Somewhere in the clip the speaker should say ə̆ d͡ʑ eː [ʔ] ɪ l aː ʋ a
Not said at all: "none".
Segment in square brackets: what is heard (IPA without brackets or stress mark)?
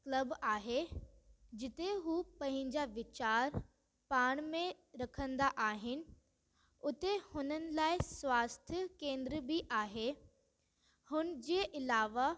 ʔ